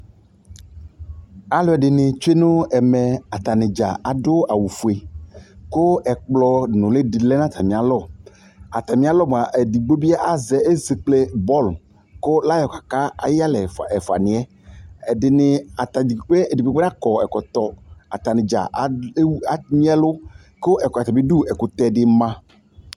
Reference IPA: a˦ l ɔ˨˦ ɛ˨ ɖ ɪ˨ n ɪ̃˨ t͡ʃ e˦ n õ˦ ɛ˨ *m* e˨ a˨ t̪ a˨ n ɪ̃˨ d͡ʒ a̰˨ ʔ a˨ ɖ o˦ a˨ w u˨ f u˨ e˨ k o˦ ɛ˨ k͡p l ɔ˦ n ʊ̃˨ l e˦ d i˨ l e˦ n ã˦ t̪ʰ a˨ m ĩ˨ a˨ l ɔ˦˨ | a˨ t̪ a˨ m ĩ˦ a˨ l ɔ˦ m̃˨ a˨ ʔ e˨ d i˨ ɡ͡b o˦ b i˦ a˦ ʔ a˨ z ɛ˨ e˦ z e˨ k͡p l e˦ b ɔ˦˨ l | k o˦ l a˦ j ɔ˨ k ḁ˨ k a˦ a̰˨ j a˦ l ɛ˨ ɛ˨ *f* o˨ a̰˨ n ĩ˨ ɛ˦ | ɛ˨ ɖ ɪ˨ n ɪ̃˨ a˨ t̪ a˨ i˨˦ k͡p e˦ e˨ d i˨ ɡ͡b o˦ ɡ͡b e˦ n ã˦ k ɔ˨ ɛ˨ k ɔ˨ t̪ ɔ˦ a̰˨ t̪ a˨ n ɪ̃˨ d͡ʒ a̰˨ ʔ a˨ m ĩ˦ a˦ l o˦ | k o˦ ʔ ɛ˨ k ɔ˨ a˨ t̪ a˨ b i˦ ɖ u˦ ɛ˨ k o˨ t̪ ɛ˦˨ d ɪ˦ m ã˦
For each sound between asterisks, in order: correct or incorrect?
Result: correct, correct

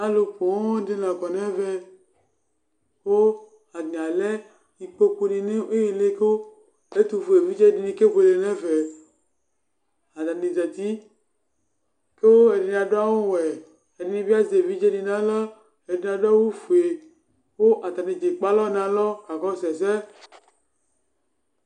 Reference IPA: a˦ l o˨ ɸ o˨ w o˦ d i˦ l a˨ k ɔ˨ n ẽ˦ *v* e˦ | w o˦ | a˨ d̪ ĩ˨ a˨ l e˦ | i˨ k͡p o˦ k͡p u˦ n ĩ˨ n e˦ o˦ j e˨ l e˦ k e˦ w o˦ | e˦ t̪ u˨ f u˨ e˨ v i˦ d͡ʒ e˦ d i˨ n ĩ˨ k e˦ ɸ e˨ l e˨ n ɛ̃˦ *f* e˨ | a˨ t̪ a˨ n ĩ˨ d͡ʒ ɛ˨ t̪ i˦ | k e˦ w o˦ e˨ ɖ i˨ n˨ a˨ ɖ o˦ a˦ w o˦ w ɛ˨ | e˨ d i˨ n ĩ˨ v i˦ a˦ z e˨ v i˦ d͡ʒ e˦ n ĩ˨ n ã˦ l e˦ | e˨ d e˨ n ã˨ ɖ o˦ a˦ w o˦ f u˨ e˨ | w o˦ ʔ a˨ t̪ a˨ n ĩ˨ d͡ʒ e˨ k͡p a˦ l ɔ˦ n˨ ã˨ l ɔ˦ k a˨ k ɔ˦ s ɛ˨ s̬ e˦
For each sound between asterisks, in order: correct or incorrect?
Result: correct, incorrect

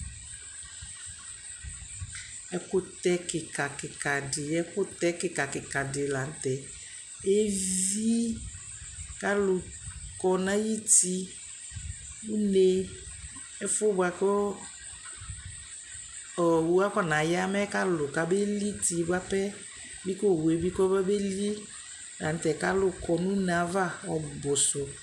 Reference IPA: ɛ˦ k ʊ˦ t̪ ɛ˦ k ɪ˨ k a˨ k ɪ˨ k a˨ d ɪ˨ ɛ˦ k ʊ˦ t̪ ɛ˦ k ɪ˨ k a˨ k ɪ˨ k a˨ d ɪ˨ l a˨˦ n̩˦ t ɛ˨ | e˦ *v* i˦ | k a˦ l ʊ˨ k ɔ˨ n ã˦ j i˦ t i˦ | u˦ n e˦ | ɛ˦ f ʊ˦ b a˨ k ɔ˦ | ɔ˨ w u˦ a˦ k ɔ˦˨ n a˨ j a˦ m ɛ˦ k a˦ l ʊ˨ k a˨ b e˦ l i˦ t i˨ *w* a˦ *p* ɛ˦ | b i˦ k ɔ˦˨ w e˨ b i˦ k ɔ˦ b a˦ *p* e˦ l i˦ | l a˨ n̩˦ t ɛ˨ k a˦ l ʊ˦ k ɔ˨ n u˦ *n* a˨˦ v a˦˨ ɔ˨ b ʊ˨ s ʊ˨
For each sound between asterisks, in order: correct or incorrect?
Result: correct, incorrect, correct, incorrect, correct

